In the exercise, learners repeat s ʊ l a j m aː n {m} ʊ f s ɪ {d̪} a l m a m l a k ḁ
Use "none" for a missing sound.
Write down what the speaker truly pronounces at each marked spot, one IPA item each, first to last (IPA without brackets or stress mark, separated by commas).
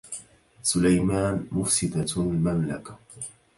m, d̪